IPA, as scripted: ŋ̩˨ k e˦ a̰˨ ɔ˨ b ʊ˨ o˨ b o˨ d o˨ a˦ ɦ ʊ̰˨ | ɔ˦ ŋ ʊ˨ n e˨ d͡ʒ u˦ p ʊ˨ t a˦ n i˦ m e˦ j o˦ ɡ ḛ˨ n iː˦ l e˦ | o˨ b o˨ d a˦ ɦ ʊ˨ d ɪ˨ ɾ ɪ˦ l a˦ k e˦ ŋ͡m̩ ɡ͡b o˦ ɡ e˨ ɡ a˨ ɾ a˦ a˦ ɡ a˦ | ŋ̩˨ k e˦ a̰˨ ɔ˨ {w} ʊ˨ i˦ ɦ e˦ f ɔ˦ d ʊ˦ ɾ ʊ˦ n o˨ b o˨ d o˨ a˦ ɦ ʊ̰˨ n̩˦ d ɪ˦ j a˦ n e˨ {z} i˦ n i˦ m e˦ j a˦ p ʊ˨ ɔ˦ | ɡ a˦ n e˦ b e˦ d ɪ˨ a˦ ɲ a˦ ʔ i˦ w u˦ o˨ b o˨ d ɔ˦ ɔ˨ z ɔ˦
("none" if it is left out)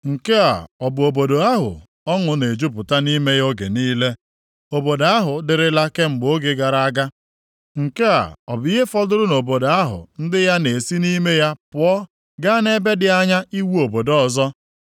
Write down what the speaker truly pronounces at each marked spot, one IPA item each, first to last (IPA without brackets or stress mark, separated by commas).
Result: b, s